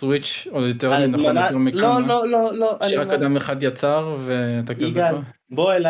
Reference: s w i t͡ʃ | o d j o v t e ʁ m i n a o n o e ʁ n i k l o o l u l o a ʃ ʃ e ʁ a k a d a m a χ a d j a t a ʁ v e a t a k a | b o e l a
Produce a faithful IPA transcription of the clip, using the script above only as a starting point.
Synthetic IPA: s w i t͡ʃ | o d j o t e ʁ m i n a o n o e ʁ m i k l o o l o l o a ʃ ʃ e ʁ a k a d a m e χ a d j a t͡s a ʁ v e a t a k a | b o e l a